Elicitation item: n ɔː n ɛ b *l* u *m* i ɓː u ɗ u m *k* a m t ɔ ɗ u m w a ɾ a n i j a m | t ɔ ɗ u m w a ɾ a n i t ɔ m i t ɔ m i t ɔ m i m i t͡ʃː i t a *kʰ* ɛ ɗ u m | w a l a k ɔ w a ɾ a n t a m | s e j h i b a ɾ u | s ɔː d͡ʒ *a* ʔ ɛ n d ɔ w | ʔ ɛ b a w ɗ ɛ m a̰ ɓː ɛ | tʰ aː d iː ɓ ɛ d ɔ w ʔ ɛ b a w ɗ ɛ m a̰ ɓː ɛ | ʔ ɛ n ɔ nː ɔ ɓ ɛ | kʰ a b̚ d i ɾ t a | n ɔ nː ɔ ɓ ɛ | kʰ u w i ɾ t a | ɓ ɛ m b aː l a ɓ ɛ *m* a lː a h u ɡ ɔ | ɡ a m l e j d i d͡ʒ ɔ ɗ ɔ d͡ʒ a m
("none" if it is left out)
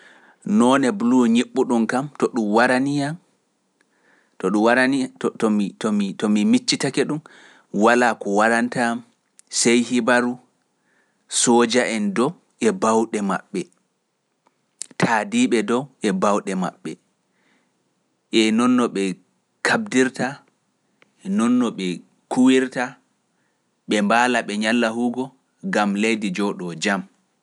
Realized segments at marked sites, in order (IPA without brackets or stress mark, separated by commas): l, ɲ, k, k, a, ɲ